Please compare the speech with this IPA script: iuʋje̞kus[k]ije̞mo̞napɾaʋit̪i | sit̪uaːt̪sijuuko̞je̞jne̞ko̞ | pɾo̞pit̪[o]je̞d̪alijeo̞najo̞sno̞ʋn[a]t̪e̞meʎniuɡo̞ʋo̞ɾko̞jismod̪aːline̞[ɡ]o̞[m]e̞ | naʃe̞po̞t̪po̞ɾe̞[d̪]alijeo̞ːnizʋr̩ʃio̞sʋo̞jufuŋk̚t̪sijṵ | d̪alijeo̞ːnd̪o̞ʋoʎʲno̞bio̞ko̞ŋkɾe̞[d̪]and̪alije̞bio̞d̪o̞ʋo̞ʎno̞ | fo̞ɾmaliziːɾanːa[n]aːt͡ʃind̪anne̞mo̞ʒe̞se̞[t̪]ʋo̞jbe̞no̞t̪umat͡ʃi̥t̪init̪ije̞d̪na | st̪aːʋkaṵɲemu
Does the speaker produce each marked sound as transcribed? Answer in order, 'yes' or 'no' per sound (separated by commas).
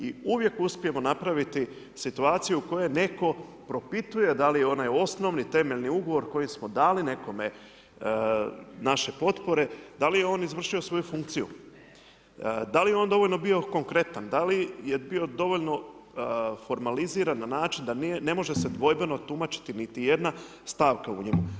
no, no, no, no, yes, yes, no, yes, no